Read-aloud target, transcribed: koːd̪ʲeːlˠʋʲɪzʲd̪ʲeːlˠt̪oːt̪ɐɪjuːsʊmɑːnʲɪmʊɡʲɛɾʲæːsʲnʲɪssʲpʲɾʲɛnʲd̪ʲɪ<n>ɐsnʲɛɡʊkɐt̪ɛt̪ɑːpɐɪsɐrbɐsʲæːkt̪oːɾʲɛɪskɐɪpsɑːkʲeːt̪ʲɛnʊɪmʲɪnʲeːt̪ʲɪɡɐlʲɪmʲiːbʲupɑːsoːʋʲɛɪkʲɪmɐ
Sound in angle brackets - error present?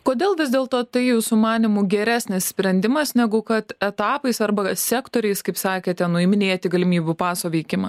yes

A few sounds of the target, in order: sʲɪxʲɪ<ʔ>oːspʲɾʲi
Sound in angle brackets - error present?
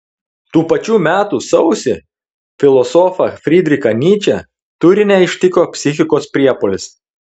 yes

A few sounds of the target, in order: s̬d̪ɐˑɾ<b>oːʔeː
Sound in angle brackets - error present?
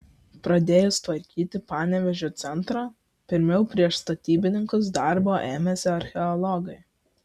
no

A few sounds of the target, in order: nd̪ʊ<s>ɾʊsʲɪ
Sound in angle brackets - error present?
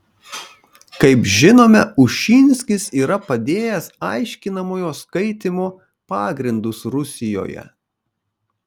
no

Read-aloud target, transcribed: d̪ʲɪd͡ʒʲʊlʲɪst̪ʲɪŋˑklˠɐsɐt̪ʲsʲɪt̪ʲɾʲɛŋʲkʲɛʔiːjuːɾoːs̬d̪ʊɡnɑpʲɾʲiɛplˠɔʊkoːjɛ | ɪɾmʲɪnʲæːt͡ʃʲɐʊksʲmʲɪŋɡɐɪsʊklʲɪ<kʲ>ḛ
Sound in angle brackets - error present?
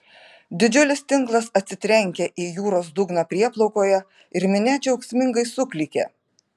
no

